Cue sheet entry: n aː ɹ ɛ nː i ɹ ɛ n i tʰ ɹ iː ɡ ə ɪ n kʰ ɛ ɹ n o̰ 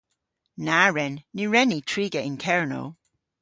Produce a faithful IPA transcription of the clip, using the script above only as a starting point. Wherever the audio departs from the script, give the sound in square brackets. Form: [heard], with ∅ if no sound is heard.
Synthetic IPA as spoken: n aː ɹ ɛ nː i ɹ ɛ n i tʰ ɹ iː ɡ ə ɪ n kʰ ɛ ɹ n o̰